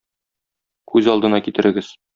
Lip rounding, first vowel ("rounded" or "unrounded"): rounded